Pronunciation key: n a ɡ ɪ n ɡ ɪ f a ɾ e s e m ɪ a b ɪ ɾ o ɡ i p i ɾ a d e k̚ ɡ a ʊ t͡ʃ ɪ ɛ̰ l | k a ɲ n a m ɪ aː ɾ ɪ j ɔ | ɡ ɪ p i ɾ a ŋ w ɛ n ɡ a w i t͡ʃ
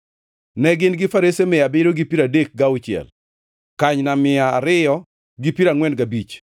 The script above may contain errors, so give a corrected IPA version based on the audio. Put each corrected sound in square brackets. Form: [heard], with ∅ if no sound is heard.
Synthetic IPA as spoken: n [ɛ] ɡ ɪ n ɡ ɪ f a ɾ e s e m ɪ a b ɪ ɾ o ɡ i p i ɾ a d e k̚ ɡ a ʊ t͡ʃ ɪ ɛ̰ l | k a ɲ n a m ɪ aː ɾ ɪ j ɔ | ɡ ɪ p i ɾ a ŋ w ɛ n ɡ a [b] i t͡ʃ